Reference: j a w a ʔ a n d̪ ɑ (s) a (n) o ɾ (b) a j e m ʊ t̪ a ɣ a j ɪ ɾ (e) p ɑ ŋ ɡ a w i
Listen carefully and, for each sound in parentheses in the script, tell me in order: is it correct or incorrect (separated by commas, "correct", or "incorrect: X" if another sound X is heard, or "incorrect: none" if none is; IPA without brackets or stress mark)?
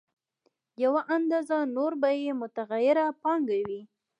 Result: incorrect: z, correct, correct, incorrect: a